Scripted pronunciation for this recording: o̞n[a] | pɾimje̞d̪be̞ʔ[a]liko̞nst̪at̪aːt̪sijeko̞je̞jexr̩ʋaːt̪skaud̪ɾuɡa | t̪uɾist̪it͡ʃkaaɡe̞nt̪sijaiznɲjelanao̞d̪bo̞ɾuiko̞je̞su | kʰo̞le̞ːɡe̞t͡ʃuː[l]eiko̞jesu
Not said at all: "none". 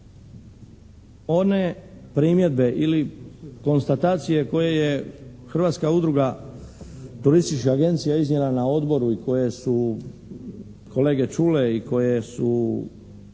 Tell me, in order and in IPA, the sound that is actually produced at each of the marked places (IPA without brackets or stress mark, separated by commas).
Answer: e, i, l